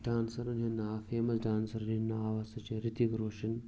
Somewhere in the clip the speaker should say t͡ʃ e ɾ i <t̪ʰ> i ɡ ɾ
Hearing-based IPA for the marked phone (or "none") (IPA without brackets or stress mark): t̪